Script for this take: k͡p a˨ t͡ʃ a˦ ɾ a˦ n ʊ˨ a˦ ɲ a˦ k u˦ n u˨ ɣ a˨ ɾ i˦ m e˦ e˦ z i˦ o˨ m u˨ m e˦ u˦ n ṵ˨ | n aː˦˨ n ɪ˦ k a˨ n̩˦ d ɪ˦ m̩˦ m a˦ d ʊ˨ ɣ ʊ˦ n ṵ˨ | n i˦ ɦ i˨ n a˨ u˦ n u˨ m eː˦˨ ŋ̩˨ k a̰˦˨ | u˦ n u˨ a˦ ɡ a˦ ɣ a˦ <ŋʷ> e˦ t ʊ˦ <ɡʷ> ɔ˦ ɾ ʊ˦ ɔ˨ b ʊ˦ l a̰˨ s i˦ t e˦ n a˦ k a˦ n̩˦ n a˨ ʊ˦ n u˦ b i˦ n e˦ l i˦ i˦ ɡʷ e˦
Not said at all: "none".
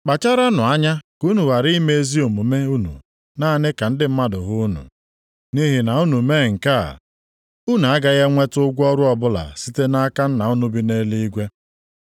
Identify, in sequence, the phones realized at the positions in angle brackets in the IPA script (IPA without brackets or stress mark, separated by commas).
ŋʷ, ɡʷ